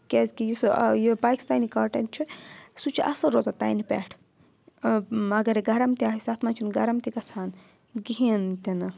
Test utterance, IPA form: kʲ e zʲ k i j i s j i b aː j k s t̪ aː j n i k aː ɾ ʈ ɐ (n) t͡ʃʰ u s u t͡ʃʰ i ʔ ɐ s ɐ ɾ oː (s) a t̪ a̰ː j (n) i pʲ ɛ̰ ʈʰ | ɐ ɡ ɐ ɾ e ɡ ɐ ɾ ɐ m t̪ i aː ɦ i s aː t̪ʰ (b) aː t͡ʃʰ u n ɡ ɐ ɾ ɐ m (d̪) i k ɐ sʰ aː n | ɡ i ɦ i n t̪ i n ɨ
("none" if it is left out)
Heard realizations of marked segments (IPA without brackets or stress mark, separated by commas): n, z, n, m, t̪